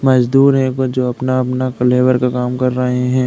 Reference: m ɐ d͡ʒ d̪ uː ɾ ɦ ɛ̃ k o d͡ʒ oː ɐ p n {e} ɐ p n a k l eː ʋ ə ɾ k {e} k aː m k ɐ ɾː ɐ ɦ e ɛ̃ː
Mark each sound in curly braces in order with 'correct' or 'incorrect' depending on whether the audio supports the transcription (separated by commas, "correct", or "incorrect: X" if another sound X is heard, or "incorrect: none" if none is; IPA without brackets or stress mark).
incorrect: a, incorrect: a